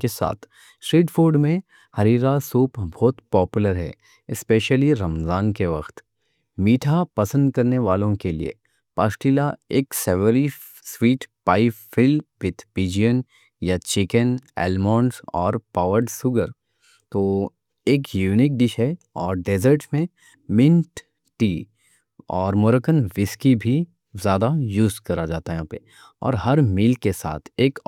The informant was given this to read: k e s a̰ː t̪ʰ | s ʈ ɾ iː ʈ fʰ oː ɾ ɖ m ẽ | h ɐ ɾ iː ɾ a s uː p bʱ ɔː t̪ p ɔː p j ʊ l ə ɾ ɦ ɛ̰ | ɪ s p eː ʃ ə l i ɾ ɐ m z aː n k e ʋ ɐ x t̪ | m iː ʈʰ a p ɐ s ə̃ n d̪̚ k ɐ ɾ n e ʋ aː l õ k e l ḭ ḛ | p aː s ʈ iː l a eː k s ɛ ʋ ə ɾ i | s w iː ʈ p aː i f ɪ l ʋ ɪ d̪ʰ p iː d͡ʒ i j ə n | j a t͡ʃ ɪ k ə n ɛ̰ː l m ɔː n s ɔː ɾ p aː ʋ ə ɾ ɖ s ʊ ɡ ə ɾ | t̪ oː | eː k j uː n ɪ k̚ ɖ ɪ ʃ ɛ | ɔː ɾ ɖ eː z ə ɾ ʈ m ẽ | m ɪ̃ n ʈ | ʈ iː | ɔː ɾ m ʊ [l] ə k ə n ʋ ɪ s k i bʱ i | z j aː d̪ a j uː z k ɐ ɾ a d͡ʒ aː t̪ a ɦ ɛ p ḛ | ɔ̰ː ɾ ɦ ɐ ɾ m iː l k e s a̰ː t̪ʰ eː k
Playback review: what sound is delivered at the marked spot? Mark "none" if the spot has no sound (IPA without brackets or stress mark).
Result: ɾ